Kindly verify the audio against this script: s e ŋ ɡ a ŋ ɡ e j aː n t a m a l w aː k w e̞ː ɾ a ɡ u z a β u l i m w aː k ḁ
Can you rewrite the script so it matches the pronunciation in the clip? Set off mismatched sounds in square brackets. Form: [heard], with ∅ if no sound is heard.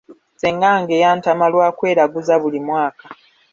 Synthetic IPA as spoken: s e ŋ ɡ a ŋ ɡ e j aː n t a m a l w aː k w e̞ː ɾ a ɡ u z a β u l i m w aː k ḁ

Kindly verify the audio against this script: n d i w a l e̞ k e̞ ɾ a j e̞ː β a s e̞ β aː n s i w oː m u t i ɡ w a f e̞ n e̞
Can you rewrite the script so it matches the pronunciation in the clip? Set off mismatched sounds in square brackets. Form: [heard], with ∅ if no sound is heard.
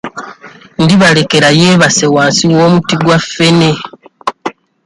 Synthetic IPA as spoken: n d i [β] a l e̞ k e̞ ɾ a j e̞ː β a s e̞ [w] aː n s i w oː m u t i ɡ w a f e̞ n e̞

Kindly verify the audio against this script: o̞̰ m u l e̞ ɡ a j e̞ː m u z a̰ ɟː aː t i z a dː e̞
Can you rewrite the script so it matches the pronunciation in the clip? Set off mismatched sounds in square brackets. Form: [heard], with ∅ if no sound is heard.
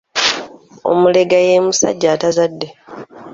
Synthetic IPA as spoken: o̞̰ m u l e̞ ɡ a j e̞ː m u [s] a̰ ɟː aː t [a] z a dː e̞

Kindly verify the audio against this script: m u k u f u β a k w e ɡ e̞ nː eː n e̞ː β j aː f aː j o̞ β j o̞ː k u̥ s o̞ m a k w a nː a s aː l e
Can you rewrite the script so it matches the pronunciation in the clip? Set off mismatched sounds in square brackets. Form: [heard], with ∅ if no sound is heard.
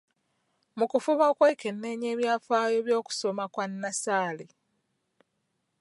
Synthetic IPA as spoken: m u k u f u β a k w e [k] e̞ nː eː [ɲ] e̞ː β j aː f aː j o̞ β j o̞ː k u̥ s o̞ m a k w a nː a s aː l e

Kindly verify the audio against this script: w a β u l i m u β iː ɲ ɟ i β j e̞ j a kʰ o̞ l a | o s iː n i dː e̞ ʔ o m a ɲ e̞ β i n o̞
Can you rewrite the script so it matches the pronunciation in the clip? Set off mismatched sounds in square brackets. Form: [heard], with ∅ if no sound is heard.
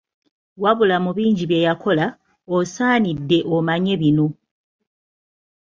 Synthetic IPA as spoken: w a β u l [a] m u β iː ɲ ɟ i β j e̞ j a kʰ o̞ l a | o s [aː] n i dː e̞ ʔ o m a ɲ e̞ β i n o̞

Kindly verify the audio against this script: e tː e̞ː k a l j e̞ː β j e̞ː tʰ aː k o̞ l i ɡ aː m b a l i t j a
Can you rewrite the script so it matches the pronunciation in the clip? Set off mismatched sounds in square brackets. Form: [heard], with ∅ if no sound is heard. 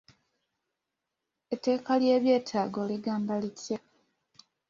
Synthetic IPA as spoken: e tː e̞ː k a l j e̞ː β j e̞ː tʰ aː [ɡ] o̞ l i ɡ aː m b a l i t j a

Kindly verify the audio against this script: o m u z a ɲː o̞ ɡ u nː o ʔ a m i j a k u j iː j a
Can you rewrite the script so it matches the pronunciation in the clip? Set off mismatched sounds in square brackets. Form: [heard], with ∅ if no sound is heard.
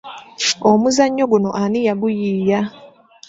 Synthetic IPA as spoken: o m u z a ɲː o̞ ɡ u [n] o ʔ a [n] i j a [ɡ] u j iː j a

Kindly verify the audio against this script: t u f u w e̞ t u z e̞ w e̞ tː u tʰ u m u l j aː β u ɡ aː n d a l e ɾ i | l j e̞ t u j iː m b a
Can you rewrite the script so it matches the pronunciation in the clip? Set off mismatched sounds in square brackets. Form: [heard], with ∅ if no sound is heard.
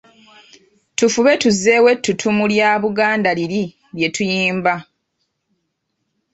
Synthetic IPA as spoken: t u f u [β] e̞ t u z e̞ w e̞ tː u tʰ u m u l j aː β u ɡ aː n d a l [i] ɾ i | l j e̞ t u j iː m b a

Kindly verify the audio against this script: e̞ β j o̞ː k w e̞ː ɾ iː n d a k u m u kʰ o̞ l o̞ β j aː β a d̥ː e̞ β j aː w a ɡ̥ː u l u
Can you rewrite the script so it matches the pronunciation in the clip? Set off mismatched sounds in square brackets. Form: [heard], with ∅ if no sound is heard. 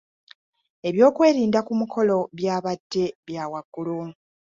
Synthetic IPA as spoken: e̞ β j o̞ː k w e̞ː ɾ iː n d a k u m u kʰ o̞ l o̞ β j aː β a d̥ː e̞ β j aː w a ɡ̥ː u l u

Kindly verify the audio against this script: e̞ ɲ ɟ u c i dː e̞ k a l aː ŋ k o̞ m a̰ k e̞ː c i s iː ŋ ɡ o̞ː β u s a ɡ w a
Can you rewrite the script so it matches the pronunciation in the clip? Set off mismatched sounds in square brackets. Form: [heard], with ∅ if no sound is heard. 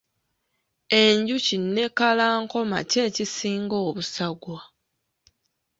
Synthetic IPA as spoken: e̞ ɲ ɟ u c i [nː] e̞ k a l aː ŋ k o̞ m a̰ [c] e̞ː c i s iː ŋ ɡ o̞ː β u s a ɡ w a

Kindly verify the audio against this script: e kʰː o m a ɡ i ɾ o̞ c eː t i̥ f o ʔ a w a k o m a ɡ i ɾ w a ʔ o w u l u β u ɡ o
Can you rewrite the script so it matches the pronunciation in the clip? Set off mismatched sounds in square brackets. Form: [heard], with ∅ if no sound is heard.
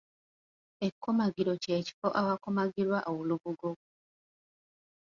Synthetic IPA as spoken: e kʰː o m a ɡ i ɾ o̞ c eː [c] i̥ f o ʔ a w a k o m a ɡ i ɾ w a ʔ o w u l u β u ɡ o

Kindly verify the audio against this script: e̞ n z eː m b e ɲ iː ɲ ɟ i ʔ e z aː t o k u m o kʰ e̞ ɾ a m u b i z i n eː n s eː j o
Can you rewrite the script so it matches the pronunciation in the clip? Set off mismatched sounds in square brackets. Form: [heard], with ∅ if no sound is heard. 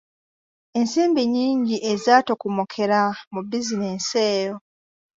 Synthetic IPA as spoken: e̞ n [s] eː m b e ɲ iː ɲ ɟ i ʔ e z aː t o k u m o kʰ e̞ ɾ a m u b i z i n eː n s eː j o

